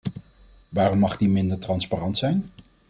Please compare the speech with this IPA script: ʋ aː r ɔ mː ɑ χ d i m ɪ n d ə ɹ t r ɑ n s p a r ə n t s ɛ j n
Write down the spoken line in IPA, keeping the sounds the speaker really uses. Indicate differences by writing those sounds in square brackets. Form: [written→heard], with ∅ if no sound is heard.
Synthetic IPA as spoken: ʋ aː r ɔ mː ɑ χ d i m ɪ n d ə ɹ t r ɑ n s p a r [ə→ɑ] n t s ɛ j n